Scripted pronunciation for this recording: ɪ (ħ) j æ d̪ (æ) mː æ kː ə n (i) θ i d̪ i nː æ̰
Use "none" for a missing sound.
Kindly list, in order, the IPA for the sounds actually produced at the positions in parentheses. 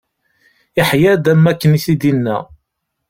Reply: ħ, æ, i

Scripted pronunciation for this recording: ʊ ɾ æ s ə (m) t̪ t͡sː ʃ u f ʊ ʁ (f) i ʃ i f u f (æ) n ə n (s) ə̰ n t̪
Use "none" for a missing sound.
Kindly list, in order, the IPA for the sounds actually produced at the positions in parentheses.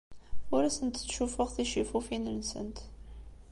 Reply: n, θ, i, s

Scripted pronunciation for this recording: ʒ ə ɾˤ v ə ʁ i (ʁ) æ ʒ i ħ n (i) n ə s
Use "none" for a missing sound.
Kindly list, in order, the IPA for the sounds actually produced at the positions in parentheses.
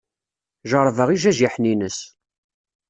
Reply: ʒ, i

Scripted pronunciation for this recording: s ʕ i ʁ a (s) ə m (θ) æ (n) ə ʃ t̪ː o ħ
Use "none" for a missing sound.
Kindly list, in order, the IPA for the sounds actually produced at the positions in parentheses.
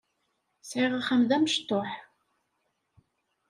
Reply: χ, ð, m

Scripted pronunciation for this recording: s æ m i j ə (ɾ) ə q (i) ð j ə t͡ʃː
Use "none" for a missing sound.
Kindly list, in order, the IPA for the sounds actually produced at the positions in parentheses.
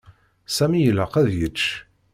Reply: l, æ

